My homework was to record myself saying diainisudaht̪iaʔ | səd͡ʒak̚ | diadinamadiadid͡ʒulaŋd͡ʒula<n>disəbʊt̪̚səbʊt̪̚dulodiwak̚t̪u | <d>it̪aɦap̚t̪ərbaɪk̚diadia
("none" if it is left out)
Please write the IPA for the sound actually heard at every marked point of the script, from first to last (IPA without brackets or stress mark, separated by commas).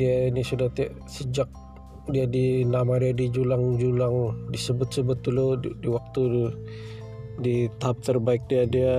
ŋ, d